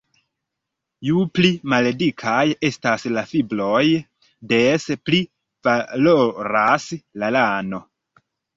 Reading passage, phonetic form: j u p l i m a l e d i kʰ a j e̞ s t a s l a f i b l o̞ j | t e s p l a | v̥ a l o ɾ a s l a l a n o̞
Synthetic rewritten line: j u p l i m a l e d i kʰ a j e̞ s t a s l a f i b l o̞ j | d e s p l i | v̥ a l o ɾ a s l a l a n o̞